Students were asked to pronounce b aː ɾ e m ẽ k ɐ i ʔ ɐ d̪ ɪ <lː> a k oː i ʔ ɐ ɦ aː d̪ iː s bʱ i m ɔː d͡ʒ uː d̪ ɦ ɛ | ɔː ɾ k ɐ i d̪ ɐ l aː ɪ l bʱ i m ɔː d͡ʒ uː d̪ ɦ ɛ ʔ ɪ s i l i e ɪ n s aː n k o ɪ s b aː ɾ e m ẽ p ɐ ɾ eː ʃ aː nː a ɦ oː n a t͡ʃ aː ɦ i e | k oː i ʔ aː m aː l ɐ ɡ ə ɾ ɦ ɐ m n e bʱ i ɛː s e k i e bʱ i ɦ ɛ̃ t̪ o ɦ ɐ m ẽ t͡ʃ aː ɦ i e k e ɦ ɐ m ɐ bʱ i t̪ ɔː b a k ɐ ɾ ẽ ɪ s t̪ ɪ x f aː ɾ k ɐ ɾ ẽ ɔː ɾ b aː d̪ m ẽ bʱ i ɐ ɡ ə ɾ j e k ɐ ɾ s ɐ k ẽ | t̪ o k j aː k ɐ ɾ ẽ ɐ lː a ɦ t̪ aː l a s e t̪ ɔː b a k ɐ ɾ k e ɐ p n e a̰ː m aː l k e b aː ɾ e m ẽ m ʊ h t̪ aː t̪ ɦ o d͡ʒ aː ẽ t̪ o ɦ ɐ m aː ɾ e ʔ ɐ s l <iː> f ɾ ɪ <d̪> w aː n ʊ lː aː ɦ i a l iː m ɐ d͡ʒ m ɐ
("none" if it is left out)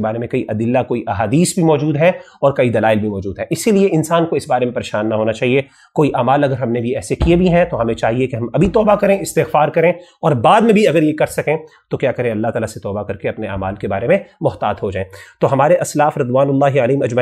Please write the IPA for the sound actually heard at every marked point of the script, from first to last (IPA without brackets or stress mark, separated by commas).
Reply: lː, aː, d̪